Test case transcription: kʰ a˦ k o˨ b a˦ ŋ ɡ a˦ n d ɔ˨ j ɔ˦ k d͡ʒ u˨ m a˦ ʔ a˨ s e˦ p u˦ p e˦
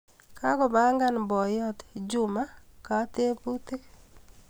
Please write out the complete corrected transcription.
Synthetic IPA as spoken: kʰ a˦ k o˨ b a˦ ŋ ɡ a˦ n b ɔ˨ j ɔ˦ t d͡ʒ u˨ m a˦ k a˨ t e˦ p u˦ t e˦